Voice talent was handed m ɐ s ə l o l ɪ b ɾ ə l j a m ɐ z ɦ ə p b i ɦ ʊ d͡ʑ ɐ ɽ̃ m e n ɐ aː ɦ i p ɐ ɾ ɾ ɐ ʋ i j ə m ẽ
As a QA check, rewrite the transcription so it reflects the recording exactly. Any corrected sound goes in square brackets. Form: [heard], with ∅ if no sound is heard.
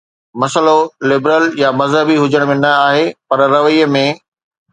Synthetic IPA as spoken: m ɐ s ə l o l ɪ b ɾ ə l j a m ɐ z ɦ ə [∅] b i ɦ ʊ d͡ʑ [ə] ɽ̃ m [ẽ] n ɐ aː ɦ [e] p ɐ ɾ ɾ ɐ ʋ i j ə m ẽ